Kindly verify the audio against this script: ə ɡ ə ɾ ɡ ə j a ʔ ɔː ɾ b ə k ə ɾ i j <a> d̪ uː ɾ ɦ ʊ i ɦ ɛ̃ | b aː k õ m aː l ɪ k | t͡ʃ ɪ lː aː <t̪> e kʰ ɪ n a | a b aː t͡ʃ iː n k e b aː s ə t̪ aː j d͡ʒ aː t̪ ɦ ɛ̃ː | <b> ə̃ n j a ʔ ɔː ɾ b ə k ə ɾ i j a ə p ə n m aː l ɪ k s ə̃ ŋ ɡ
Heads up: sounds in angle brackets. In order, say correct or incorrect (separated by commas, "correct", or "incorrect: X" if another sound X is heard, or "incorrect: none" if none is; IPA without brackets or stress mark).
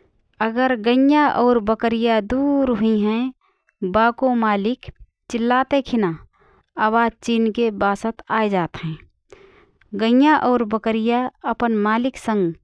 correct, correct, incorrect: ɡ